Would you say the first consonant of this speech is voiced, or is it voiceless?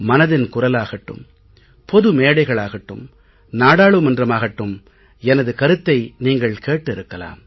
voiced